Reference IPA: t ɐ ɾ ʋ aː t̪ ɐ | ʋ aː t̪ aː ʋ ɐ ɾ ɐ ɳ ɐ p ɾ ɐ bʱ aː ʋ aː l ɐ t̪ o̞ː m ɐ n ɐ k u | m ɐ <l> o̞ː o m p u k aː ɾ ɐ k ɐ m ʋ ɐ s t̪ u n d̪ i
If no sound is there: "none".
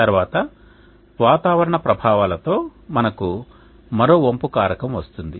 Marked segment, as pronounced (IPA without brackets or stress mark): ɾ